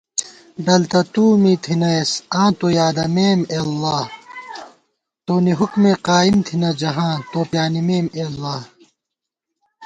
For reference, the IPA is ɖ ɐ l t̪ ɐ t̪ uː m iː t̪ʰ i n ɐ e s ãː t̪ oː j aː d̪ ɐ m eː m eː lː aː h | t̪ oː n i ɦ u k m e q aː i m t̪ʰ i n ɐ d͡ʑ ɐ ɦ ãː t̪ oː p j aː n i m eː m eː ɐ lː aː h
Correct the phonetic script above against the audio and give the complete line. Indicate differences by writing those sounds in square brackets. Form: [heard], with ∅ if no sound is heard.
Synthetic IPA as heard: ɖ ɐ l t̪ ɐ t̪ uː m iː t̪ʰ i n ɐ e s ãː t̪ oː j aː d̪ ɐ m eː m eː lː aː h | t̪ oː n i ɦ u k m e q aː i m t̪ʰ i n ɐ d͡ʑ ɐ ɦ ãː t̪ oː p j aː n i m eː m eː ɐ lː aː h